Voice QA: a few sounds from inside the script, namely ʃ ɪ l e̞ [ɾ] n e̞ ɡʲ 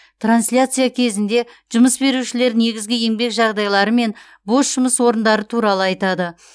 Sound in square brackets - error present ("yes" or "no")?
no